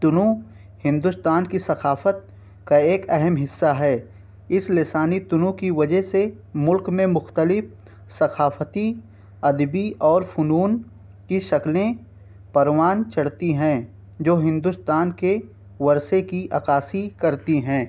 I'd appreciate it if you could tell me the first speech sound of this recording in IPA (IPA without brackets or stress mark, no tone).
t̪